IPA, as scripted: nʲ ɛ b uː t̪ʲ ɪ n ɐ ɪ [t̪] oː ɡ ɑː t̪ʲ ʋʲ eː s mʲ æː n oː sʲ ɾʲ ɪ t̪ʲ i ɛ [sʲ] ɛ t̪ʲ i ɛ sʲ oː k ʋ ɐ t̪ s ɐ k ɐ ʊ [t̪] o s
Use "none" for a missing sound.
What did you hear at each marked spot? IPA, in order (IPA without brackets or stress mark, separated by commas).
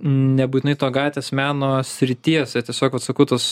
t̪, sʲ, t̪